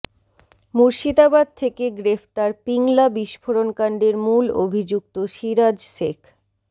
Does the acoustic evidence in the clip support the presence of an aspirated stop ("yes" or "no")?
yes